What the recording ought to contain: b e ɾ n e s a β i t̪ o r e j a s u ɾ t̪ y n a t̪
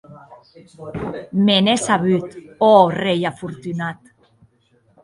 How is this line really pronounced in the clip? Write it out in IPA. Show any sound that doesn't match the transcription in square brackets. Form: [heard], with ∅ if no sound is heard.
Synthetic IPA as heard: [m] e [∅] n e s a β [y] t̪ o r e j a [f] u ɾ t̪ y n a t̪